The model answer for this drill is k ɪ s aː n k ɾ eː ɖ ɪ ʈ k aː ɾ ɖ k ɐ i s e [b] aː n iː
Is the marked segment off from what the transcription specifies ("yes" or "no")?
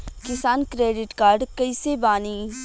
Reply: no